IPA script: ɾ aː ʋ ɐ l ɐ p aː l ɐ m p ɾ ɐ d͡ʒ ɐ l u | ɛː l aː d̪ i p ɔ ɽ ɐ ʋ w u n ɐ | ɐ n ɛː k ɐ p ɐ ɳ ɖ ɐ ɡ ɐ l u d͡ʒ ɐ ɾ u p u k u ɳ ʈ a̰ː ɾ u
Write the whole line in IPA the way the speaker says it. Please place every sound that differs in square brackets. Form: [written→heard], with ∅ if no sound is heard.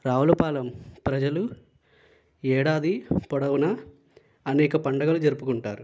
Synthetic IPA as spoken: ɾ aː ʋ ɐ l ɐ p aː l ɐ m p ɾ ɐ d͡ʒ ɐ l u | ɛː [l→ɽ] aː d̪ i p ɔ ɽ ɐ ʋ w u n ɐ | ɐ n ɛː k ɐ p ɐ ɳ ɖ ɐ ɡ ɐ l u d͡ʒ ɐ ɾ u p u k u ɳ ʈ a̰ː ɾ u